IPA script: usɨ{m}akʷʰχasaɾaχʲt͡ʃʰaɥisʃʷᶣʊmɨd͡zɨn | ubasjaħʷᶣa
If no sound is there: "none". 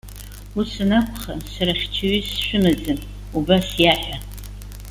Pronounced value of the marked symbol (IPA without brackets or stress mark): n